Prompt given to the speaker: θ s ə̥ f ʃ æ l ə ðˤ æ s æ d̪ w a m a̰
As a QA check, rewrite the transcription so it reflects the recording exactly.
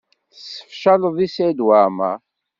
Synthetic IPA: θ s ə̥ f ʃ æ l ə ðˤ i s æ d̪ w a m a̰